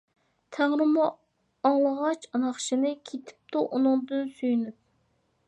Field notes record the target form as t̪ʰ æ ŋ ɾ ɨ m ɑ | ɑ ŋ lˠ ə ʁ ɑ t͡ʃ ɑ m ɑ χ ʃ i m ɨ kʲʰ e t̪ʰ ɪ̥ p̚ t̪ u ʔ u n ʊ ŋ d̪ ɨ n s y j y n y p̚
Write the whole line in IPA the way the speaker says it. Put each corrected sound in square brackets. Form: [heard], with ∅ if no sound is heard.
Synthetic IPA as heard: t̪ʰ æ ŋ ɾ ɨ m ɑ | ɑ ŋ lˠ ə ʁ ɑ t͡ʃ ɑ [n] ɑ χ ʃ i [n] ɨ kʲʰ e t̪ʰ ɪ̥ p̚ t̪ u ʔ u n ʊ ŋ d̪ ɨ n s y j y n y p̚